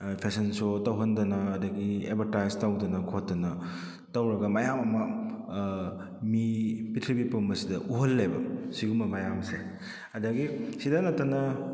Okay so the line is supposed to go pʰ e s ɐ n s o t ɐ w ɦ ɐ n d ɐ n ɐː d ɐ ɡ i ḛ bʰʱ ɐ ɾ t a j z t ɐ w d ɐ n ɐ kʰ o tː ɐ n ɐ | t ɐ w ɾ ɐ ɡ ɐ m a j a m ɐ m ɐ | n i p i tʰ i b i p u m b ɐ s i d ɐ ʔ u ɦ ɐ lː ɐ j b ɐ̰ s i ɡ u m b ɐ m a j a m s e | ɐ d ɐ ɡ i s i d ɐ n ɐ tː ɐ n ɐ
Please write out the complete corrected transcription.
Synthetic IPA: pʰ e s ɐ n s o t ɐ w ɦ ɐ n d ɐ n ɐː d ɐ ɡ i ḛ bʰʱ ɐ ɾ t a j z t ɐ w d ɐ n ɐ kʰ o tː ɐ n ɐ | t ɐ w ɾ ɐ ɡ ɐ m a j a m ɐ m ɐ | m i p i tʰ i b i p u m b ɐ s i d ɐ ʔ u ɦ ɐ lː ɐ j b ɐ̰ s i ɡ u m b ɐ m a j a m s e | ɐ d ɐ ɡ i s i d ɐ n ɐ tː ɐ n ɐ